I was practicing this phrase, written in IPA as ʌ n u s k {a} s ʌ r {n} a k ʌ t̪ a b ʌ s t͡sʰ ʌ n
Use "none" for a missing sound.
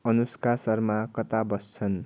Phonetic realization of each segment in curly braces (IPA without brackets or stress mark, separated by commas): a, m